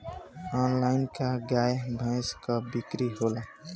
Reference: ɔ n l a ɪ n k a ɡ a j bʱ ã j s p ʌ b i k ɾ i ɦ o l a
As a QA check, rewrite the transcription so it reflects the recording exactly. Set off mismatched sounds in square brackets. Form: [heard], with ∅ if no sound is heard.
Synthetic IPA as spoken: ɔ n l a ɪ n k a ɡ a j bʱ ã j s [k] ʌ b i k ɾ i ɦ o l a